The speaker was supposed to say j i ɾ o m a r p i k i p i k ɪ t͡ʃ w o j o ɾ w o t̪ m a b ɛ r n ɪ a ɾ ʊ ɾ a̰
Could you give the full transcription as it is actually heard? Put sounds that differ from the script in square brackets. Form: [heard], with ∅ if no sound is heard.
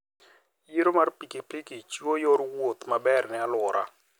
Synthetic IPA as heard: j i ɾ o m a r p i k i p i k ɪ t͡ʃ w o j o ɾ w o t̪ m a b ɛ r n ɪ a [l] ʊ ɾ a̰